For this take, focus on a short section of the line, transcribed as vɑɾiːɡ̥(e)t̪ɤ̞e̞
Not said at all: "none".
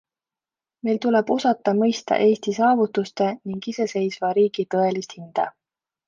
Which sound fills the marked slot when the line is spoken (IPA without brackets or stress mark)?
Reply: i